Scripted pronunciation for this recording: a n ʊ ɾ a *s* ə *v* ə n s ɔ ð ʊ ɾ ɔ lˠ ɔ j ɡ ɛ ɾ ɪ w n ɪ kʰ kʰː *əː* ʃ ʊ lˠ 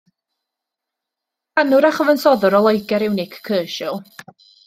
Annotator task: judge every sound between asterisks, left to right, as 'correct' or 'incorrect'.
incorrect: χ, correct, correct

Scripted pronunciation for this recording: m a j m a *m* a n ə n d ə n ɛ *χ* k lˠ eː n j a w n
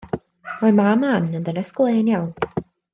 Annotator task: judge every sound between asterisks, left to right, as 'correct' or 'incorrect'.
correct, incorrect: s

